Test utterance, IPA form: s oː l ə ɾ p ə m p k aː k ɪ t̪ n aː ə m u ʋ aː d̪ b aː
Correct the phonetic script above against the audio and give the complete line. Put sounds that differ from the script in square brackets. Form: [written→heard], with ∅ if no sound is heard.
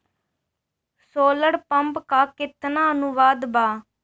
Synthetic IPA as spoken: s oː l ə [ɾ→ɽ] p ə m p k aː k ɪ t̪ n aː ə [m→n] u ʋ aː d̪ b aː